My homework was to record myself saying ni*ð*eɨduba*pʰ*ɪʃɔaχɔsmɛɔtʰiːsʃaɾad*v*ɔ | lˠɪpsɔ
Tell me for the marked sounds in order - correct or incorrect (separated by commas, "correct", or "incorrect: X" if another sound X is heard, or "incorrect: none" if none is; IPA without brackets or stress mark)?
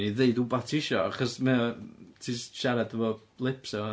correct, incorrect: tʰ, correct